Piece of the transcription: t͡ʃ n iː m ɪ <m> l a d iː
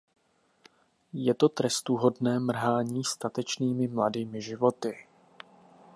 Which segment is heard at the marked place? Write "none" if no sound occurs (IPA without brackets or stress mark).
m